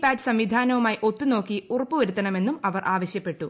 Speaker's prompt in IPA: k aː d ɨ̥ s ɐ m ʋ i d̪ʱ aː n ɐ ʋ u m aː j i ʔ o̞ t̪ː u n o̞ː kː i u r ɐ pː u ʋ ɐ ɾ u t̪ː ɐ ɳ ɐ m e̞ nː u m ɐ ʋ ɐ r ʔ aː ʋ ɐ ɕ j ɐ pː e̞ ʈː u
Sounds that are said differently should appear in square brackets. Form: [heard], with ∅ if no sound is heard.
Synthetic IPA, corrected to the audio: [p] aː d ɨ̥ s ɐ m ʋ i d̪ʱ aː n ɐ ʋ u m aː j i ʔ o̞ t̪ː u n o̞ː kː i u r ɐ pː u ʋ ɐ ɾ u t̪ː ɐ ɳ ɐ m e̞ nː u m ɐ ʋ ɐ r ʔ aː ʋ ɐ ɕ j ɐ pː e̞ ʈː u